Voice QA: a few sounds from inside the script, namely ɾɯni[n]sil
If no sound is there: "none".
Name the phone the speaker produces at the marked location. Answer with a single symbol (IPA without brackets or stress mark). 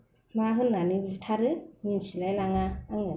n